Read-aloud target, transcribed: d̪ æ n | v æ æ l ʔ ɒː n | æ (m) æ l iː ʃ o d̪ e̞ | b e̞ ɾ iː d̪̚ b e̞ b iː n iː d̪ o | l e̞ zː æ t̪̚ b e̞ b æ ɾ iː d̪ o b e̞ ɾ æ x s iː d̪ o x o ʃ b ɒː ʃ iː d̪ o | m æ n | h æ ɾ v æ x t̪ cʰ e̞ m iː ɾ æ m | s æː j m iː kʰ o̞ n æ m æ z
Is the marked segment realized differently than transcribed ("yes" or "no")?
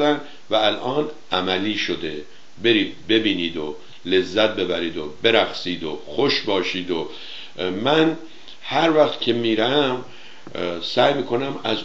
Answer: no